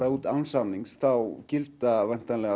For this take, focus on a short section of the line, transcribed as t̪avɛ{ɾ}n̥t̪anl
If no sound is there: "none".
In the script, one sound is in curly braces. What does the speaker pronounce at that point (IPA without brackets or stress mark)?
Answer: none